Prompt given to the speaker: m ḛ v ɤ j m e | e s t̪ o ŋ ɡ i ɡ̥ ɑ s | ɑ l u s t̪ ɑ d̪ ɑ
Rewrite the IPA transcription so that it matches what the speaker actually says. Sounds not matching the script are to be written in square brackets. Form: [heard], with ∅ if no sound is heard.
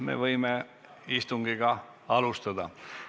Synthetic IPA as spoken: m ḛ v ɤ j m e | [i] s t̪ [u] ŋ ɡ i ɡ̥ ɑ [∅] | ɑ l u s t̪ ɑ d̪ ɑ